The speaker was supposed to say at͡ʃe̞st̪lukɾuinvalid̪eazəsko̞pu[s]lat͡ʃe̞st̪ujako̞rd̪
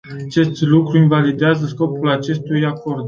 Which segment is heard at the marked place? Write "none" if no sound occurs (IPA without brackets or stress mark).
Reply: none